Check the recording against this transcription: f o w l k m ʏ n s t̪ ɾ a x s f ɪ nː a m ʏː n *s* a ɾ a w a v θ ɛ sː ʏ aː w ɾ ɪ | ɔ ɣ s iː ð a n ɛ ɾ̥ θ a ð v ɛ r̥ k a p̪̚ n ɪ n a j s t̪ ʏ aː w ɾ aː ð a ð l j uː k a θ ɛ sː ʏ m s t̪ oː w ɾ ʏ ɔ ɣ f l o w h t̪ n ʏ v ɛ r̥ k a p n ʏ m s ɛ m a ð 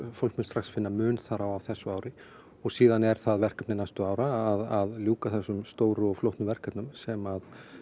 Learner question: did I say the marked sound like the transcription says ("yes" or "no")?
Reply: no